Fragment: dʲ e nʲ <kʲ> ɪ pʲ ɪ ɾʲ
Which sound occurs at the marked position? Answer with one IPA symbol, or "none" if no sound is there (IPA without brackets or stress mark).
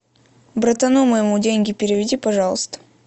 ɡʲ